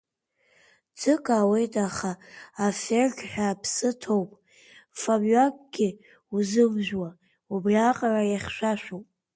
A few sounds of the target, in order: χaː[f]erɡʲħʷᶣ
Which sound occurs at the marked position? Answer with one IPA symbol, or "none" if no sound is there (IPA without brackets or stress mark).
f